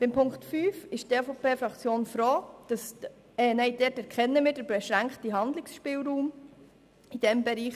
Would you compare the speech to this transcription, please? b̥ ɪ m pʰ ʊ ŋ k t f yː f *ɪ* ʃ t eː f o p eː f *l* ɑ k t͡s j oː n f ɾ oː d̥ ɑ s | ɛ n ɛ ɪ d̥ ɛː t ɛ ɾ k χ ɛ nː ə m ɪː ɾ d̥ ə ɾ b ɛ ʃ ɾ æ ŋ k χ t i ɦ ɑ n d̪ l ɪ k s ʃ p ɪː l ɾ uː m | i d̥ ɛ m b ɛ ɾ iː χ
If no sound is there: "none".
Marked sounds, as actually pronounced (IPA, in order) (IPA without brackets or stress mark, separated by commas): ɪ, ɾ